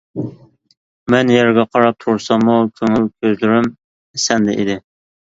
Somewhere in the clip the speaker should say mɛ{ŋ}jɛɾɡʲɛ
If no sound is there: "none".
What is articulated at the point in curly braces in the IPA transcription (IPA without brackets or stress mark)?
n